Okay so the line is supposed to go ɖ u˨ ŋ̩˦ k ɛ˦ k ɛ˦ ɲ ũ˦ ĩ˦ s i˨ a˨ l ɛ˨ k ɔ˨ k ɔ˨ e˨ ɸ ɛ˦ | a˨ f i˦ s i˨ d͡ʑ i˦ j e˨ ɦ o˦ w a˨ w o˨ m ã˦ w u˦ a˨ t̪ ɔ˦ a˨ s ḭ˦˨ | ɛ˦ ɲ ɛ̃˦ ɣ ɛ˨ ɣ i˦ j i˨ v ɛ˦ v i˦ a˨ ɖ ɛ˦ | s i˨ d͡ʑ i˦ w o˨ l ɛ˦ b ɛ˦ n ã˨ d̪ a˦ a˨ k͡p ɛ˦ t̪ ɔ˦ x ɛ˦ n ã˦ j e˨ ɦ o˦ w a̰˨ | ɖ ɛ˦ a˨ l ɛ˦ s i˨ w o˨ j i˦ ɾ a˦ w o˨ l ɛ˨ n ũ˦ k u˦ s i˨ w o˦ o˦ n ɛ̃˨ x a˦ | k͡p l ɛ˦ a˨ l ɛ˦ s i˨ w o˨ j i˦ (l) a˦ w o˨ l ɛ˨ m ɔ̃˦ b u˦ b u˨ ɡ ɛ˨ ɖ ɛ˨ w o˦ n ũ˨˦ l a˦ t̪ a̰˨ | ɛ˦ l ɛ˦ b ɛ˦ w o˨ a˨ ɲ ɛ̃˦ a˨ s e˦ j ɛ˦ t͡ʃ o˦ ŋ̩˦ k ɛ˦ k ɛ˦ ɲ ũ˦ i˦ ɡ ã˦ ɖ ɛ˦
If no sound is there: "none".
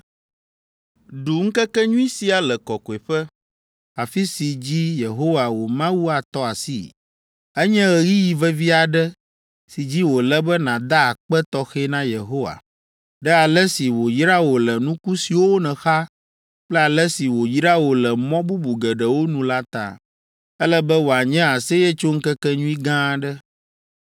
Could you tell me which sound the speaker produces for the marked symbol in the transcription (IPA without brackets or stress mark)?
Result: ɾ